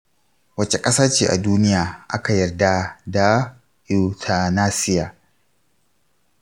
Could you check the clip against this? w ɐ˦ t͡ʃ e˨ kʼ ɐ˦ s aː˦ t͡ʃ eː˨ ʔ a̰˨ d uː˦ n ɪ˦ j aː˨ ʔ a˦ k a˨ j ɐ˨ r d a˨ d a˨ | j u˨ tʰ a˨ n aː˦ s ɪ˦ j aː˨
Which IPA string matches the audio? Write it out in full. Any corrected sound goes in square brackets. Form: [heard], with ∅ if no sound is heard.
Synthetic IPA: w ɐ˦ t͡ʃ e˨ kʼ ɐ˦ s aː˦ t͡ʃ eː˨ ʔ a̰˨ d uː˦ n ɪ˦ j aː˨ ʔ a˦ k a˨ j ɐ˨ r d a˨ d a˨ | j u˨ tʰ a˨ n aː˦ s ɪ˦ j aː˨